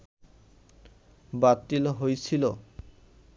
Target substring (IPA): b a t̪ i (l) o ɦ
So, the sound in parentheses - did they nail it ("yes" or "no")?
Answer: yes